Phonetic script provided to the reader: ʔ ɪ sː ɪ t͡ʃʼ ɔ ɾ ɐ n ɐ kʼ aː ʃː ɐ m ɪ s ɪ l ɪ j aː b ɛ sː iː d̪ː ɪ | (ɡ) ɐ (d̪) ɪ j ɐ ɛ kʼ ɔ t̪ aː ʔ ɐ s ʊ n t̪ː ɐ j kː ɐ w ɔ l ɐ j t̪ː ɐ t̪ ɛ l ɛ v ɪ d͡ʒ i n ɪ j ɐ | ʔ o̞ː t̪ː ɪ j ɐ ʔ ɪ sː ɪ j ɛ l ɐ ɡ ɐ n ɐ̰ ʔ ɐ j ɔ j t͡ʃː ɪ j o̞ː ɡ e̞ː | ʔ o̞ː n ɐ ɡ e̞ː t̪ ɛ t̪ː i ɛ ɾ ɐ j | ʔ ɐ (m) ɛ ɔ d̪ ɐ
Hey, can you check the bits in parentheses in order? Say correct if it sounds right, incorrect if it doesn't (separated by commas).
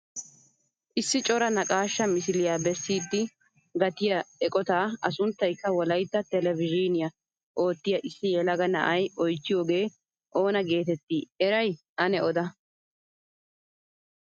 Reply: correct, incorrect, incorrect